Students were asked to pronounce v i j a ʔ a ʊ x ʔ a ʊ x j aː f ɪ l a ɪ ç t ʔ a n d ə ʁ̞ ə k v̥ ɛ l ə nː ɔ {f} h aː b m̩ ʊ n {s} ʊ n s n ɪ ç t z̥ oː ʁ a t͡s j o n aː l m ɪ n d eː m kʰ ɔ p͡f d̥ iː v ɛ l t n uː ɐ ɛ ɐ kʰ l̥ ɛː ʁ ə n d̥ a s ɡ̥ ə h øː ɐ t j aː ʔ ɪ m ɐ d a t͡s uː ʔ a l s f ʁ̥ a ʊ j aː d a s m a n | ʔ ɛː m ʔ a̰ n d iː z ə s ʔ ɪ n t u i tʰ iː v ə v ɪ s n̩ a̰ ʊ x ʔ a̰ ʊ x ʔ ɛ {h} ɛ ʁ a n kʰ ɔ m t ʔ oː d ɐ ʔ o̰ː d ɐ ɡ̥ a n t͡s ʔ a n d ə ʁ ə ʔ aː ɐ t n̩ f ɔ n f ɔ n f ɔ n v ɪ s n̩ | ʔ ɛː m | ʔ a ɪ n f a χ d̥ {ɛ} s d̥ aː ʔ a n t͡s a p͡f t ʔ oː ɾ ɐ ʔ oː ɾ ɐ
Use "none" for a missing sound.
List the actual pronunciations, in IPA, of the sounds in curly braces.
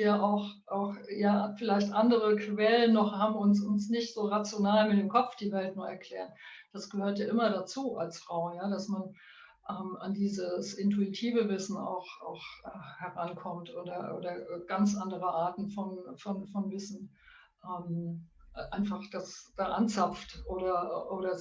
χ, s, h, a

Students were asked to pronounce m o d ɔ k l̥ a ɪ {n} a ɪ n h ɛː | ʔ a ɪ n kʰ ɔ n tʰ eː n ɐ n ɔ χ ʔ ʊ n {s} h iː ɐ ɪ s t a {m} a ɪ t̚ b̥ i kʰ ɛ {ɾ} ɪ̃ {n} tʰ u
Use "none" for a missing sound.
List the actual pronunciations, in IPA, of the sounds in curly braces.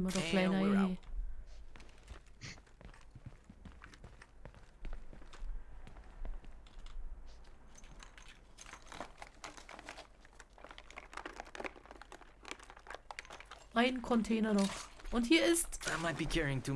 n, t, m, ɹ, ŋ

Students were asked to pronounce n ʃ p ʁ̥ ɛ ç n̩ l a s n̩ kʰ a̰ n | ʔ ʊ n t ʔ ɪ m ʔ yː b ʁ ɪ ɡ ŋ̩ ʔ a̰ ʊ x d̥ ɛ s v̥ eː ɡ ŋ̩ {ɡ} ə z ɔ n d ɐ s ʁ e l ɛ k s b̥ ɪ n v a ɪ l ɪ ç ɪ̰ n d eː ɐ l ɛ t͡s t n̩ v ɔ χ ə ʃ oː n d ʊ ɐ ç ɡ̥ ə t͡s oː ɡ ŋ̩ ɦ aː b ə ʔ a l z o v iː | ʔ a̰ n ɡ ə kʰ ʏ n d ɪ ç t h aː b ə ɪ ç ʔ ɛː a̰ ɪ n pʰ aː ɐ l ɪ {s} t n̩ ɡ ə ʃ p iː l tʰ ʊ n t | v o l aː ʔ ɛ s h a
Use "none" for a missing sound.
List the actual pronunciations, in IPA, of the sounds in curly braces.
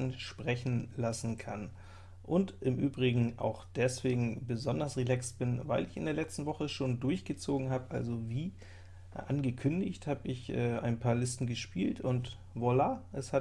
b, s

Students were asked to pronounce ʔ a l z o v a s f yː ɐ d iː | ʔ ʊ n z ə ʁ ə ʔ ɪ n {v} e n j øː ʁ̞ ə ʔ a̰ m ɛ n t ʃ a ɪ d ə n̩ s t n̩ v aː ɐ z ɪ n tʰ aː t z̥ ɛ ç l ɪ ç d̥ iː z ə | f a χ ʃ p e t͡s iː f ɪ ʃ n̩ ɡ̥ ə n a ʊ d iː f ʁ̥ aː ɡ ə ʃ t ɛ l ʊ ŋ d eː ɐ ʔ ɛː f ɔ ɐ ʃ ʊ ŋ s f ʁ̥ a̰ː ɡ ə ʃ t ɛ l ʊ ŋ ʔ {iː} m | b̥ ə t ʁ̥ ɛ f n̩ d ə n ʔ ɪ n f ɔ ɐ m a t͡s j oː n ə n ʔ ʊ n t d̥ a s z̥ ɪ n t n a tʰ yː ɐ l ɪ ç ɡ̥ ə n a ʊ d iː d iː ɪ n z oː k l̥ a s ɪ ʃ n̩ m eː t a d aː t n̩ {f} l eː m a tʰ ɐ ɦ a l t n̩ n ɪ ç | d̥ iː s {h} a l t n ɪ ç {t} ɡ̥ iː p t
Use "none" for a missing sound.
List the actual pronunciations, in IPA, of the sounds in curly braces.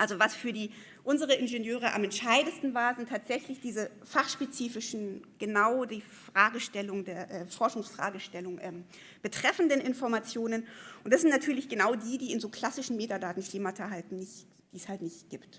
ʒ, ɛː, ʃ, h, t

